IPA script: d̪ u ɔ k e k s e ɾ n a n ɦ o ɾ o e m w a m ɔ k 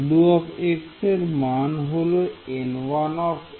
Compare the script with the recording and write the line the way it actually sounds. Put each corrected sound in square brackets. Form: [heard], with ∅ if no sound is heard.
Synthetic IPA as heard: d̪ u ɔ k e k s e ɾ [m] a n ɦ o [l] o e [n] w a [n] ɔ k

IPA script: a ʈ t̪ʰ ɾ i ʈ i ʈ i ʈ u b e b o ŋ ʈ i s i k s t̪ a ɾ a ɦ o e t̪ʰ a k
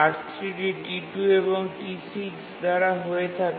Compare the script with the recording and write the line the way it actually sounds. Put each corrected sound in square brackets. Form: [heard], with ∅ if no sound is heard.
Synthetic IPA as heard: a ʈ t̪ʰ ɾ i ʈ i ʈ i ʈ u [∅] e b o ŋ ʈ i s i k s [d̪] a ɾ a ɦ o e t̪ʰ a k

